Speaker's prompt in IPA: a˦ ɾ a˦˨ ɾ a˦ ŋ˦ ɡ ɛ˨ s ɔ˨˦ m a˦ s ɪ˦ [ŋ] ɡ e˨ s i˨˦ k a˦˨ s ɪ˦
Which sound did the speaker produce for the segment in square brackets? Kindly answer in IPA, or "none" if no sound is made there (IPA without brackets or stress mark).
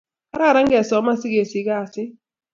none